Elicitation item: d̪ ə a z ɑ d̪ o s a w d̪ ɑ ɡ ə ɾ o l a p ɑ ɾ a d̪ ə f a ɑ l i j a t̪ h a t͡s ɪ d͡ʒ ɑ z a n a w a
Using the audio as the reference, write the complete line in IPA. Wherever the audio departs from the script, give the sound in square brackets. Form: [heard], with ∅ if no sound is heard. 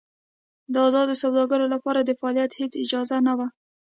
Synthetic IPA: d̪ ə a z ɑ d̪ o s a w d̪ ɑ ɡ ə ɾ o l a p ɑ ɾ a d̪ ə f a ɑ l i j a t̪ h [e] t͡s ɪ d͡ʒ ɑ z a n a w a